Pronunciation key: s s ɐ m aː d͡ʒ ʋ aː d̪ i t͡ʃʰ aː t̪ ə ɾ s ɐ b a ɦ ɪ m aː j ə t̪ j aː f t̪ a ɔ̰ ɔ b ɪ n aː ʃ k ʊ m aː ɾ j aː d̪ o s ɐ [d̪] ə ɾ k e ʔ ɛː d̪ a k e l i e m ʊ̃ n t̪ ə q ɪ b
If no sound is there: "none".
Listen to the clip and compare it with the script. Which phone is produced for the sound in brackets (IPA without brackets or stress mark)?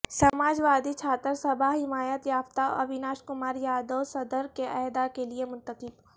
d̪